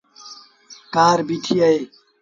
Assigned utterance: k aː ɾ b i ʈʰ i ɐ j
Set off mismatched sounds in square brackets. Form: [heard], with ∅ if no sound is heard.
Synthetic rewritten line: k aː ɾ b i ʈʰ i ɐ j